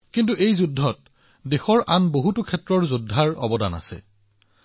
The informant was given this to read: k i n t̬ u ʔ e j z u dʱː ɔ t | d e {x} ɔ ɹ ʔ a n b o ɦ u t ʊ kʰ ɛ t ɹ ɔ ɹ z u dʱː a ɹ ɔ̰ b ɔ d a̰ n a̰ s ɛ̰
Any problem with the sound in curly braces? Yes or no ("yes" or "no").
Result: no